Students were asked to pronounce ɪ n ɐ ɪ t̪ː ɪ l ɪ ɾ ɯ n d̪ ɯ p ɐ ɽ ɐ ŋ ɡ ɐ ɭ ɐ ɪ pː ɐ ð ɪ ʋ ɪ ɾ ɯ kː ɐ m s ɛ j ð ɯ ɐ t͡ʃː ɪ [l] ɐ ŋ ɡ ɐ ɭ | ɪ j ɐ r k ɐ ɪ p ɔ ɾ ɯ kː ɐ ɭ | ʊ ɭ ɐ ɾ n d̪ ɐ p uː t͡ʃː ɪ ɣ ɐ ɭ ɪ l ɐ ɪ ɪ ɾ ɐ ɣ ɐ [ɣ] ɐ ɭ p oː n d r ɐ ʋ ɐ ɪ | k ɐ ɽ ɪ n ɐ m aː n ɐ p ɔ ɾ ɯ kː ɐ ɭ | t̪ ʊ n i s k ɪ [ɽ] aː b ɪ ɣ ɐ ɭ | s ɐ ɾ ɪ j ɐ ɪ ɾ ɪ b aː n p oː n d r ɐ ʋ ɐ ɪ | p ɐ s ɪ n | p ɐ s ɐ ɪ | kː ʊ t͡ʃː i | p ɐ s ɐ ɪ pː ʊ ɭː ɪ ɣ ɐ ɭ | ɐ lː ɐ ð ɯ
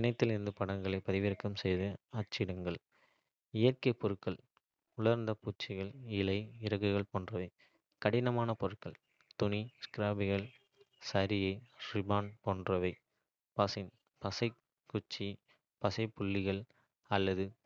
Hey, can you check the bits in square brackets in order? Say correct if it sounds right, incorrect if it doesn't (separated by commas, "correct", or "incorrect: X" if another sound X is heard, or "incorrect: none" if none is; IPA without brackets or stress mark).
incorrect: ɽ, correct, incorrect: ɾ